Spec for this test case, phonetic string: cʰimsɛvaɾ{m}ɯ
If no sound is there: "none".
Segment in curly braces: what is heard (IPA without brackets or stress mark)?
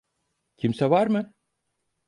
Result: m